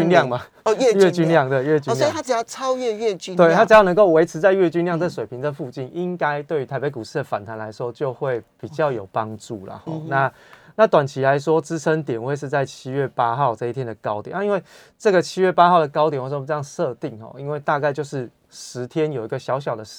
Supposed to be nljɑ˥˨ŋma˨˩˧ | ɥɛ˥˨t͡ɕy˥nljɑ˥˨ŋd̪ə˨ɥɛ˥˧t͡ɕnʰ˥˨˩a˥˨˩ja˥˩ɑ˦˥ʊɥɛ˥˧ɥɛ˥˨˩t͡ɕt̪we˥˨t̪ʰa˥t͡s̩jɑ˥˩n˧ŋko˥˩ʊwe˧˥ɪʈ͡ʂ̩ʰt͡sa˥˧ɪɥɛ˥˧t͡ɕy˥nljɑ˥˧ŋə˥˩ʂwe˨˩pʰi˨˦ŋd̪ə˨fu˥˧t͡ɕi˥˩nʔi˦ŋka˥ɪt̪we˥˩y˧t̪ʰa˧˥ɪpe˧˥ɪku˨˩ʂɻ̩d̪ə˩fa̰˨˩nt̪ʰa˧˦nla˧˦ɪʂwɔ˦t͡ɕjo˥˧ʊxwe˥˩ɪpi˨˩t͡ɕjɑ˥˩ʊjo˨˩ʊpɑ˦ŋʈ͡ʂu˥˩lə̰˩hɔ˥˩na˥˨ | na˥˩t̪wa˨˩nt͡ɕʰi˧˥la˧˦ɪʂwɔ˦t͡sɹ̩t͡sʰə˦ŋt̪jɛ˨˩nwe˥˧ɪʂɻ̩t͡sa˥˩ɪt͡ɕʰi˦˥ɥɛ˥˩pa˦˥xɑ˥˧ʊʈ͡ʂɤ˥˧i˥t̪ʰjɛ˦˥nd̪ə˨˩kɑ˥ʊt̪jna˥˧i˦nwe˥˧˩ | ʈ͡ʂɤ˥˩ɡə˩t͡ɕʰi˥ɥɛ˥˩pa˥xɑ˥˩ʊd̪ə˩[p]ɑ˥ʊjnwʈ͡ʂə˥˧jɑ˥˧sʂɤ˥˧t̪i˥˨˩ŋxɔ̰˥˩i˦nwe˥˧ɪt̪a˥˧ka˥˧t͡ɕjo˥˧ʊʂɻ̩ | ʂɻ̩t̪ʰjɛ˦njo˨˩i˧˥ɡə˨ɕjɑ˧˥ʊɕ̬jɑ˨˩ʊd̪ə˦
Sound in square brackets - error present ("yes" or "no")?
yes